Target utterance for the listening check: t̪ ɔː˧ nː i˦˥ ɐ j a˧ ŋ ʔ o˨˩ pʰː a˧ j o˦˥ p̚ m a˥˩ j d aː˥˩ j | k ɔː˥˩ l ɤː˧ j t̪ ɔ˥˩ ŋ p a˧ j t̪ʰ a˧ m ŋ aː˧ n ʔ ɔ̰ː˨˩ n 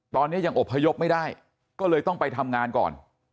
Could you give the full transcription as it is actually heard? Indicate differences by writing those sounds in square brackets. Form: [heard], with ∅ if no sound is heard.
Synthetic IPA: t̪ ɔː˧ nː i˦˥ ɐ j a˧ ŋ ʔ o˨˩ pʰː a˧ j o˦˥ p̚ m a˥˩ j d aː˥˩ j | k ɔː˥˩ l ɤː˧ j t̪ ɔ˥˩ ŋ p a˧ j t̪ʰ a˧ m ŋ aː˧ n [k] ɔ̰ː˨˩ n